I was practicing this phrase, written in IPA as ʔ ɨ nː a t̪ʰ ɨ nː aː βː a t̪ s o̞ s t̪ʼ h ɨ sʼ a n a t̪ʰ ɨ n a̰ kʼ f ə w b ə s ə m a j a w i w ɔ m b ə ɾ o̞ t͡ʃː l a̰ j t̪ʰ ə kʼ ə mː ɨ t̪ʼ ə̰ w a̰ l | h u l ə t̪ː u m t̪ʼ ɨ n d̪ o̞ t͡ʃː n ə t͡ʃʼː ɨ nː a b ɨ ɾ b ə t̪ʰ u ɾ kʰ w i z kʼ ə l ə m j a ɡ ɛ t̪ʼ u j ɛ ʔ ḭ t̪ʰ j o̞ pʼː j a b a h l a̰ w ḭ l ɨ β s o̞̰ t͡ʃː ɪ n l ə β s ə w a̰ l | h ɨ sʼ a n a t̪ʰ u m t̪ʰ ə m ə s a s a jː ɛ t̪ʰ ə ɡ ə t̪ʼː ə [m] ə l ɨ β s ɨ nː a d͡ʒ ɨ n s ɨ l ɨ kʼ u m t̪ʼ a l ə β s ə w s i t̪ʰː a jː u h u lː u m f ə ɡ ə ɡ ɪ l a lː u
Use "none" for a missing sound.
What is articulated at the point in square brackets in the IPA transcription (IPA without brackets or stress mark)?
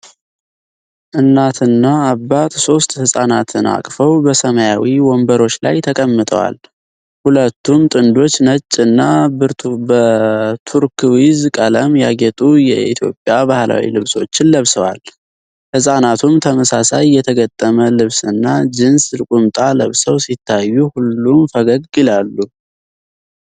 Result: m